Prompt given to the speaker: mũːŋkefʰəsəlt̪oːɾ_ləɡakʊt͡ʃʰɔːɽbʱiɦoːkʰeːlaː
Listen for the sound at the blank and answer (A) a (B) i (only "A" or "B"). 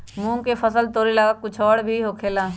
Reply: B